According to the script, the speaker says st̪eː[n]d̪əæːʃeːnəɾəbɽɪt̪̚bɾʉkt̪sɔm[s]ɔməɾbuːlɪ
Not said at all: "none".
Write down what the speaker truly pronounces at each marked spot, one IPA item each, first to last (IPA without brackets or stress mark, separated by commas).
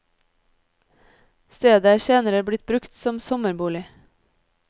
none, s